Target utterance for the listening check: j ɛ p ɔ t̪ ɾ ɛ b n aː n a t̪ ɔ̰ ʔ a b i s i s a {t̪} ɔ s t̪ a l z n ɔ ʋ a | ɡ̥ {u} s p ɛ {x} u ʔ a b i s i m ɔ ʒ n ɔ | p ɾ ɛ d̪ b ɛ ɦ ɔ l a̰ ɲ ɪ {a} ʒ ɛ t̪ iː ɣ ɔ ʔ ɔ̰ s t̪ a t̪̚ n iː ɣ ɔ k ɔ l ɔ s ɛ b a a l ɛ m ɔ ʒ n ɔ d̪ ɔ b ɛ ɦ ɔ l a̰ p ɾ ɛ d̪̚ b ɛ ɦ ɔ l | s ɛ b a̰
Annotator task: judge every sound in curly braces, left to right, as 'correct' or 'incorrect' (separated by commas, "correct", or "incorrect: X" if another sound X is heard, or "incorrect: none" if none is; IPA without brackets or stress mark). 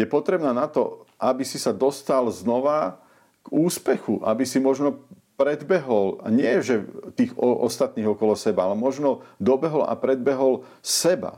incorrect: d̪, incorrect: uː, correct, incorrect: ɛ